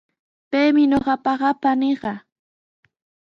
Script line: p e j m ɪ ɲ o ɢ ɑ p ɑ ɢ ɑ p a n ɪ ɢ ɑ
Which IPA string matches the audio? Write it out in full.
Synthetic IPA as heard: p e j m ɪ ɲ o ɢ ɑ p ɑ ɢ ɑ p a n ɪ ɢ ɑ

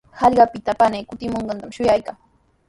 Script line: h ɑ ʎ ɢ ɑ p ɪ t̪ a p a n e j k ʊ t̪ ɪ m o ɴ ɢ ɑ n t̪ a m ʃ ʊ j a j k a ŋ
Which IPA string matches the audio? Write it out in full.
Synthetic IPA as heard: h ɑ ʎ ɢ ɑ p ɪ t̪ a p a n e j k ʊ t̪ ɪ m o ɴ ɢ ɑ n t̪ a m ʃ ʊ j a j k a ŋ

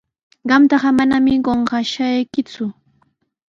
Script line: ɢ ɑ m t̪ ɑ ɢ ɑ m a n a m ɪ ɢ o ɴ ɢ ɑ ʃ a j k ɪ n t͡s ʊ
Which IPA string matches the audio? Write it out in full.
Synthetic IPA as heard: ɢ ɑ m t̪ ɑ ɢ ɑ m a n a m ɪ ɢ o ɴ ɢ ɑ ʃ a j k ɪ t͡s ʊ

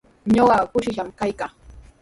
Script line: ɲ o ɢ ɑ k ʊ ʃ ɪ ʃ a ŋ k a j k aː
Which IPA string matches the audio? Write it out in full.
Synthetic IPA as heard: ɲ o ɢ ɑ k ʊ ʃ ɪ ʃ a m k a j k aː

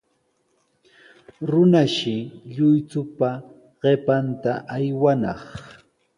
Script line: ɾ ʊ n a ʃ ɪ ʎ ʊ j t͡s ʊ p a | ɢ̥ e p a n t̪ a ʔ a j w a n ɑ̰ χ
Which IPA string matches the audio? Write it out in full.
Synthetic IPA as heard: ɾ ʊ n a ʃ ɪ ʎ ʊ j t͡s ʊ p a | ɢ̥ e p a n t̪ a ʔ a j w a n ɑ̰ χ

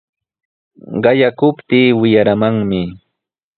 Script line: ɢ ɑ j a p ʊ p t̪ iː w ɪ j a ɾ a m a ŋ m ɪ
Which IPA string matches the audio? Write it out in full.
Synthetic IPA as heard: ɢ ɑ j a k ʊ p t̪ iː w ɪ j a ɾ a m a ŋ m ɪ

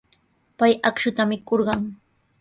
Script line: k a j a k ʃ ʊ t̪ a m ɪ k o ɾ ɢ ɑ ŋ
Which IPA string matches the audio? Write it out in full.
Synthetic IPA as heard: p a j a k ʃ ʊ t̪ a m ɪ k o ɾ ɢ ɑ ŋ

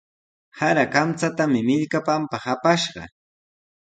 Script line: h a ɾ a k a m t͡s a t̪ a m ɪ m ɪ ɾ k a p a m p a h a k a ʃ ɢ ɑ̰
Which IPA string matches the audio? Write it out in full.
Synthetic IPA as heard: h a ɾ a k a m t͡s a t̪ a m ɪ m ɪ ʎ k a p a m p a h a p a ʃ ɢ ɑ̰

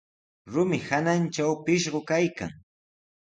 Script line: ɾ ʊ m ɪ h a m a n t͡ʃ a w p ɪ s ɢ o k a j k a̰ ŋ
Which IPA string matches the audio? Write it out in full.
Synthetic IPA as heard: ɾ ʊ m ɪ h a n a n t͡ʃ a w p ɪ ʃ ɢ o k a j k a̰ ŋ

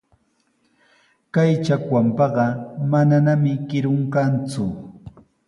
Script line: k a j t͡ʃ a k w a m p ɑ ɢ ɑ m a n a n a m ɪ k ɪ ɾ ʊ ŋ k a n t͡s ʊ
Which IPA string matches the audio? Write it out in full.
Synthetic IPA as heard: k a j t͡ʃ a k w a m p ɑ ɢ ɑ m a n a n a m ɪ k ɪ ɾ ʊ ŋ k a n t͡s ʊ

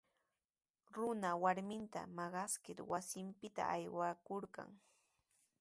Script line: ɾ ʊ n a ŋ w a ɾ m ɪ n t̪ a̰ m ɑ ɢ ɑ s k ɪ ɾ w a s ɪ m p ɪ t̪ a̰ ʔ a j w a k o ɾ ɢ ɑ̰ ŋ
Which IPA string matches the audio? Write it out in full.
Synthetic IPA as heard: ɾ ʊ n a w a ɾ m ɪ n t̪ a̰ m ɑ ɢ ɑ s k ɪ ɾ w a s ɪ m p ɪ t̪ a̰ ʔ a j w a k o ɾ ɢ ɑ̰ ŋ

